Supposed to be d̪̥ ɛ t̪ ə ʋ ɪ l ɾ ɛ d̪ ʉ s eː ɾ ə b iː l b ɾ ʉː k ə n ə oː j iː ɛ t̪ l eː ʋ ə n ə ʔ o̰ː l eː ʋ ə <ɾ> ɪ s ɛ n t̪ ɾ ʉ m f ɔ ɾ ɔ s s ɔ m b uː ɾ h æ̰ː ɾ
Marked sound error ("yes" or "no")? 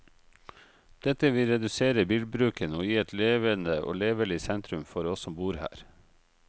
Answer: yes